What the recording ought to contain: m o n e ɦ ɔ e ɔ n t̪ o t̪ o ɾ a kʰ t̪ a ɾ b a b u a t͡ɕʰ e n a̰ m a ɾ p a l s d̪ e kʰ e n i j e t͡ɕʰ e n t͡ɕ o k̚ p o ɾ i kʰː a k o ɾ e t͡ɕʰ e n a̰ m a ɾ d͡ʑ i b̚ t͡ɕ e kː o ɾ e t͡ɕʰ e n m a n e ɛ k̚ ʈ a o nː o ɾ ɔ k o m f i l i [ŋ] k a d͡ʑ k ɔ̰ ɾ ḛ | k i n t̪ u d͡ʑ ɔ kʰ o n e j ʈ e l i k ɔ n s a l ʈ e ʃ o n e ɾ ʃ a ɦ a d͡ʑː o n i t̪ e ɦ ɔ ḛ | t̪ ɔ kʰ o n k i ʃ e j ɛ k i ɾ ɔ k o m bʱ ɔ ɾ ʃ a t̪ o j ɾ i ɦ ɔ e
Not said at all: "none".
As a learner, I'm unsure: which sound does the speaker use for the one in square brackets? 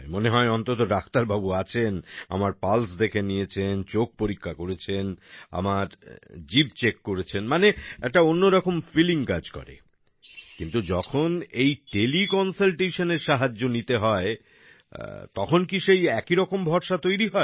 ŋ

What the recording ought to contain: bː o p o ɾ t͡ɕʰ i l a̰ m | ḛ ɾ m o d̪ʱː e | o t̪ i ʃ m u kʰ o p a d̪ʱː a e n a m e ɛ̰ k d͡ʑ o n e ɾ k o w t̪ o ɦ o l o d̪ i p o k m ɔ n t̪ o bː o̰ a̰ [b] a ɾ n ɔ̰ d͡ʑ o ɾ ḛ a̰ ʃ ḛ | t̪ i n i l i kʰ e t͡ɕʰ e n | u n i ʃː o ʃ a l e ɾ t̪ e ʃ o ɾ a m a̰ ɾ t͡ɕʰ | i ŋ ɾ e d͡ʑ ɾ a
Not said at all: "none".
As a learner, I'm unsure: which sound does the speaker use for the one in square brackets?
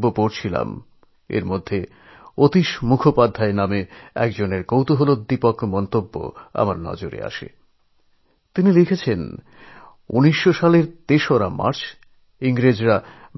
m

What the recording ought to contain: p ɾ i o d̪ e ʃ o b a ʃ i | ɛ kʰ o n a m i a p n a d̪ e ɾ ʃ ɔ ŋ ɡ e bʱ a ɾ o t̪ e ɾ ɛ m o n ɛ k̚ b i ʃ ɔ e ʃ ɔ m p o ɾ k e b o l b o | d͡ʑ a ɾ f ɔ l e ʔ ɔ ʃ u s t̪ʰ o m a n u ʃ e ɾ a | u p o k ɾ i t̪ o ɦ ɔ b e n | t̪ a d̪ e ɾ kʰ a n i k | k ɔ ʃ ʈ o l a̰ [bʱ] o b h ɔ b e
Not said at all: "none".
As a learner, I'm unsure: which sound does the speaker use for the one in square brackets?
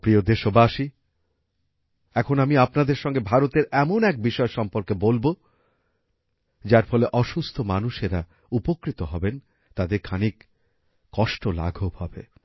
ɡʱ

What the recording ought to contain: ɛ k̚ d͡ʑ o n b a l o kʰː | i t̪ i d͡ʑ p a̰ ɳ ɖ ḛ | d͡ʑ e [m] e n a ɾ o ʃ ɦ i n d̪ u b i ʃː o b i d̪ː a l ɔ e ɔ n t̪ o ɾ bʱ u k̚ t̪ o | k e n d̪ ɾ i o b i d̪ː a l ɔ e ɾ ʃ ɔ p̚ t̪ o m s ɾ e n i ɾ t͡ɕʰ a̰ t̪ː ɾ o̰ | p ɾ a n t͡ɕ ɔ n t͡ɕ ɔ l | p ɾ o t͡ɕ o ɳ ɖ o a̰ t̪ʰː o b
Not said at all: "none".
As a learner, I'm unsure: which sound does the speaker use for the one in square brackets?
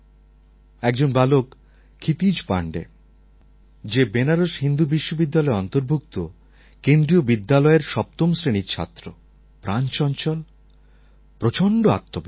b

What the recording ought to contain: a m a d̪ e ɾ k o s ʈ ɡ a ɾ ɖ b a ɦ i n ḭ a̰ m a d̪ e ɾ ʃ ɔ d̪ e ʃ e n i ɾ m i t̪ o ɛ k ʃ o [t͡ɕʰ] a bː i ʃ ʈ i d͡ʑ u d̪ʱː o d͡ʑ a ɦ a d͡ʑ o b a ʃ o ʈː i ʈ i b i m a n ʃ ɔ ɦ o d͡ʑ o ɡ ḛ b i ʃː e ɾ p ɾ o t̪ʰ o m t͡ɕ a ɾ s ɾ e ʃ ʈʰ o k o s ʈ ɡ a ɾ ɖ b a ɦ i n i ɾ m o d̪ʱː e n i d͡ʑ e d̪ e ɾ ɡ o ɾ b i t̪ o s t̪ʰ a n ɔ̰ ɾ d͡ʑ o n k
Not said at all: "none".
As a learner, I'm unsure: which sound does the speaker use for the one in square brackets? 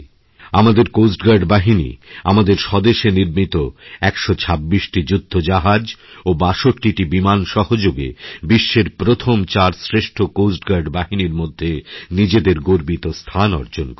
t͡ɕʰ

